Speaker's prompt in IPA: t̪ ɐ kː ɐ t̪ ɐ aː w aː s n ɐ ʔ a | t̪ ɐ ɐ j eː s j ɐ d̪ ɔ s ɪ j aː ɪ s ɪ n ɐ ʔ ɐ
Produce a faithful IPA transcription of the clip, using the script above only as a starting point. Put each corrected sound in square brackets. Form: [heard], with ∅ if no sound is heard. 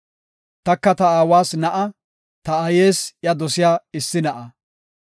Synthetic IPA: t̪ ɐ kː ɐ t̪ ɐ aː w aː s n ɐ ʔ [ɐ] | t̪ ɐ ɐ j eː s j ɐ d̪ ɔ s ɪ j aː ɪ [sː] ɪ n ɐ ʔ ɐ